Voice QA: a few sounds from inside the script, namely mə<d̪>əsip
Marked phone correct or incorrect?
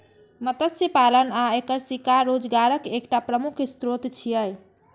incorrect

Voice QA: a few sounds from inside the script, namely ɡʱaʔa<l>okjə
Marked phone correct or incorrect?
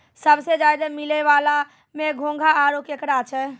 incorrect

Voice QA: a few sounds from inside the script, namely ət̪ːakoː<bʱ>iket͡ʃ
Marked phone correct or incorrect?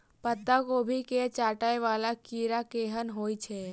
correct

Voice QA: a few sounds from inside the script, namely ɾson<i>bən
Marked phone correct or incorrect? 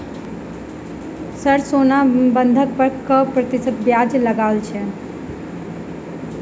incorrect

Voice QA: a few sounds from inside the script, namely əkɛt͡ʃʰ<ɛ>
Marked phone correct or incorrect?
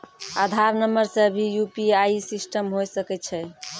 correct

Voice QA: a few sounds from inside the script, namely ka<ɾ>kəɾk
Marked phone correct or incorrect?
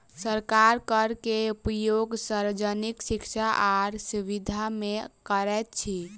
correct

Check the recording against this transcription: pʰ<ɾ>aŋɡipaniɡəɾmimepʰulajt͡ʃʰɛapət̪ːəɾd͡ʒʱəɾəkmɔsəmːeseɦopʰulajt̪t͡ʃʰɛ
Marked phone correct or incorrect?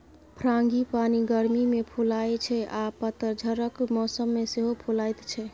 correct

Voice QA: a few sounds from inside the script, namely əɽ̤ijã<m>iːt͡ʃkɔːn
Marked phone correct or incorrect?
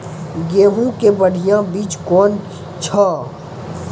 incorrect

